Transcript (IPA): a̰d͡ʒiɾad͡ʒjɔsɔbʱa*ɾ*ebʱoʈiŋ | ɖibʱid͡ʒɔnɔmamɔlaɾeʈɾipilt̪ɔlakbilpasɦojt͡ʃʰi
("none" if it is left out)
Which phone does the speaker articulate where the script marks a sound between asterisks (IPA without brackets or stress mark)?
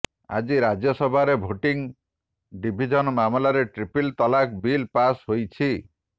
ɾ